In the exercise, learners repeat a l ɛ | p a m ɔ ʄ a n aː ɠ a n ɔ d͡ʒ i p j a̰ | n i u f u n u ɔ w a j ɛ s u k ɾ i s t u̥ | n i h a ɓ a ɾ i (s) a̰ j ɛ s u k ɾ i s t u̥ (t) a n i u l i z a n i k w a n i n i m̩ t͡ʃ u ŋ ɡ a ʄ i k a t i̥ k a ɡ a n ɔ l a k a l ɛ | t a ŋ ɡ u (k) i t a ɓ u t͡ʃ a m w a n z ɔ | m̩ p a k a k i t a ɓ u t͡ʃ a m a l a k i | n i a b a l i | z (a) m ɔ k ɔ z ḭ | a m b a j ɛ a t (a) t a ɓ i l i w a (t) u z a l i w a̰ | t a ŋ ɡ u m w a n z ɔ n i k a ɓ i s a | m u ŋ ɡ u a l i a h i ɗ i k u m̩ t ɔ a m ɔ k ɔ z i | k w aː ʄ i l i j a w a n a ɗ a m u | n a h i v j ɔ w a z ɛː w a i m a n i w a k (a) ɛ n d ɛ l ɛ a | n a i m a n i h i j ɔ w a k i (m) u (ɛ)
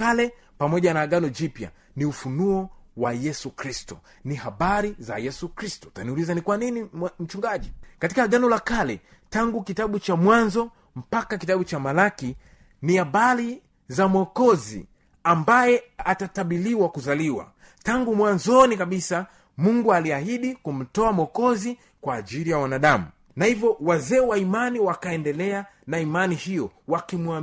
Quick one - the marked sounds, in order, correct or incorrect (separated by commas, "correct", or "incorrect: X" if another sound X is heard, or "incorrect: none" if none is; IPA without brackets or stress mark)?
incorrect: z, correct, correct, correct, correct, incorrect: k, correct, correct, incorrect: a